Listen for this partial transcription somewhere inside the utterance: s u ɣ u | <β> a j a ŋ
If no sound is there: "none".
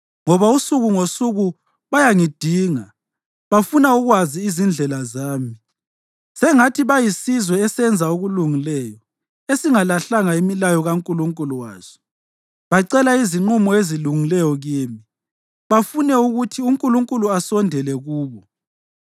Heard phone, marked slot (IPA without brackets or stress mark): β